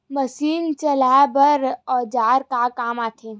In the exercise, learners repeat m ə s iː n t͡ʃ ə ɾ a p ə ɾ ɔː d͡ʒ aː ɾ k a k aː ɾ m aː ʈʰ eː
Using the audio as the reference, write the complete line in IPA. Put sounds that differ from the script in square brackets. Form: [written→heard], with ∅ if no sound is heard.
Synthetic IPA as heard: m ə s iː n t͡ʃ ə [ɾ→l] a [p→b] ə ɾ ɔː d͡ʒ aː ɾ k a k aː [ɾ→∅] m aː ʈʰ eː